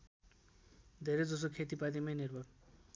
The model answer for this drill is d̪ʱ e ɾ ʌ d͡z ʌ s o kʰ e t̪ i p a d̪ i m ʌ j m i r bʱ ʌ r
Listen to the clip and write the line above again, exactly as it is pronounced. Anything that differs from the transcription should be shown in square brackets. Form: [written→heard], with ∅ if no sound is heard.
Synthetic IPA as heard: d̪ʱ e ɾ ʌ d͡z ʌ s o kʰ e t̪ i p a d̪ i m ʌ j [m→n] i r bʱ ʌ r